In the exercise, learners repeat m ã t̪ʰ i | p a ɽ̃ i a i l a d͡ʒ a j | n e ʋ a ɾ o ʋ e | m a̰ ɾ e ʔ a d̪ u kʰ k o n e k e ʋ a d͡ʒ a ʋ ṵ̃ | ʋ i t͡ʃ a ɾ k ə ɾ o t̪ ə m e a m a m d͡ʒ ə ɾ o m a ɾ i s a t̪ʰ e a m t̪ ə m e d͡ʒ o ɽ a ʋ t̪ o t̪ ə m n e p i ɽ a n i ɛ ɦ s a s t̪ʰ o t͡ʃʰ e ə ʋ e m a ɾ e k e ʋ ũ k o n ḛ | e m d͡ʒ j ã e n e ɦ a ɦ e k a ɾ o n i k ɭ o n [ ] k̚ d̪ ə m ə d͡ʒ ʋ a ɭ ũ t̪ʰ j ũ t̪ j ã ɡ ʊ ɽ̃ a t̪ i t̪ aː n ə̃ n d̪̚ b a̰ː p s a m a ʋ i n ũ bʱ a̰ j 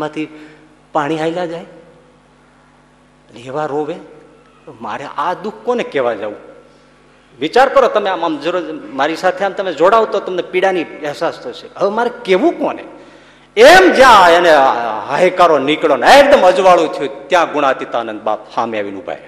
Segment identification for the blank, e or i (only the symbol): e